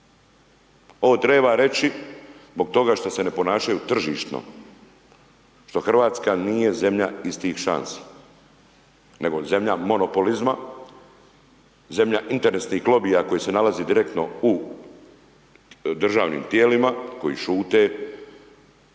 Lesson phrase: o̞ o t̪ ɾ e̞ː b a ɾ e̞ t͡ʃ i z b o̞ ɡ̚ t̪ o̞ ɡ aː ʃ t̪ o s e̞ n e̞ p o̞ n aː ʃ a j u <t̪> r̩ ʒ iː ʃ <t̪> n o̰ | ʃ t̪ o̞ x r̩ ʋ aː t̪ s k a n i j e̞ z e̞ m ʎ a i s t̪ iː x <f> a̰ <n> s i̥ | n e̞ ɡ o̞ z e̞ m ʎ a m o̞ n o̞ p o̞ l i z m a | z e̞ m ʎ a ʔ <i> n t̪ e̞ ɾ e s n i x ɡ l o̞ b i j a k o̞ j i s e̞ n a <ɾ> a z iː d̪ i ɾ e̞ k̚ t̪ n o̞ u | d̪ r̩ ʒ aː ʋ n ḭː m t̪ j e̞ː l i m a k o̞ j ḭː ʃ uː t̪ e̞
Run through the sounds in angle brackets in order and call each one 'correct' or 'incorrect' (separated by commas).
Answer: correct, correct, incorrect, correct, correct, incorrect